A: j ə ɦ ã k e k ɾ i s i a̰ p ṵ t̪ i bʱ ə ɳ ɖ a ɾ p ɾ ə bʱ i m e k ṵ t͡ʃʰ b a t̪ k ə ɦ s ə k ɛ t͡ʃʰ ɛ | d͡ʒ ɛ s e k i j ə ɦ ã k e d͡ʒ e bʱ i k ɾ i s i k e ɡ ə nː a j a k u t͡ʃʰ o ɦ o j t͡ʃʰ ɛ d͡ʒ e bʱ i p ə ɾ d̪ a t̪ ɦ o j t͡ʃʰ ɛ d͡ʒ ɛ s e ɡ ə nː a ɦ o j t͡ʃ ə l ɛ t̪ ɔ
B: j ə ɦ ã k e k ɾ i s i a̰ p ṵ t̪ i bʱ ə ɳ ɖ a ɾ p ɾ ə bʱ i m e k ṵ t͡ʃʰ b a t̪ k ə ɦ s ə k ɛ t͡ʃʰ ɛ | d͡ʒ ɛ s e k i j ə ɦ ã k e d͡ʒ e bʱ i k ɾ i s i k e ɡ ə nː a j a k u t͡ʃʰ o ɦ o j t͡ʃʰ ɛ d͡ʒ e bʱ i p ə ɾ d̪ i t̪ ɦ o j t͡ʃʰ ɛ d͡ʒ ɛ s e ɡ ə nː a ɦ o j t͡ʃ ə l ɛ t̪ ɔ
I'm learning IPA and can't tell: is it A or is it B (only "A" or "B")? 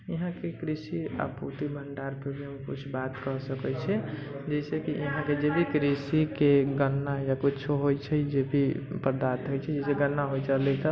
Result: A